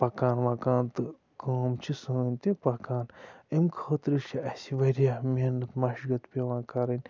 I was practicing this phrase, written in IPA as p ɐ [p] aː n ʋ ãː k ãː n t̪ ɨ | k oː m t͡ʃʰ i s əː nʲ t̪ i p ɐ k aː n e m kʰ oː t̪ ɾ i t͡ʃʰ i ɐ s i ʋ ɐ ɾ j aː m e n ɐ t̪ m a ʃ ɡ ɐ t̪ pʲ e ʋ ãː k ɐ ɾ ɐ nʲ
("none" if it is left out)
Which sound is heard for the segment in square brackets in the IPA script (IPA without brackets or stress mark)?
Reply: k